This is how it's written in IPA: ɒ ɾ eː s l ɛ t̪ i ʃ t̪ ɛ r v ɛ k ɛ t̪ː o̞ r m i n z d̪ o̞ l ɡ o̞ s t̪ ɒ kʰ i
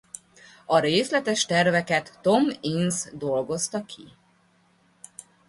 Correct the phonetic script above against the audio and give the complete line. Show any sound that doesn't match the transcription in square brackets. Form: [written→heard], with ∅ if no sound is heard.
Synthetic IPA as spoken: ɒ ɾ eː s l ɛ t̪ [i→ɛ] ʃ t̪ ɛ r v ɛ k ɛ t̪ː o̞ [r→∅] m i n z d̪ o̞ l ɡ o̞ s t̪ ɒ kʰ i